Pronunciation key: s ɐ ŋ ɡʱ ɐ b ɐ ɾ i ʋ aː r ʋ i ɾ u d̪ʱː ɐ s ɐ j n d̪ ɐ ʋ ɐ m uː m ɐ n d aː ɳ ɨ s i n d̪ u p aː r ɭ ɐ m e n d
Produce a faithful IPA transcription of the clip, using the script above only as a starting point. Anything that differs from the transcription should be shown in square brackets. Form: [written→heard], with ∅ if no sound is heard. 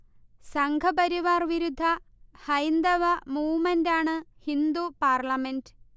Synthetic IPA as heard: s ɐ ŋ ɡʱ ɐ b ɐ ɾ i ʋ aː r ʋ i ɾ u d̪ʱː ɐ [s→h] ɐ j n d̪ ɐ ʋ ɐ m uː m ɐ n d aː ɳ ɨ [s→h] i n d̪ u p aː r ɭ ɐ m e n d